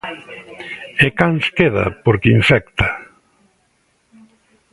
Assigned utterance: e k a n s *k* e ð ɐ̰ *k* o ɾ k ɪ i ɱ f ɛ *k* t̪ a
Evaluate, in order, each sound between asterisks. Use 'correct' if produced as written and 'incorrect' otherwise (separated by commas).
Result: correct, incorrect, correct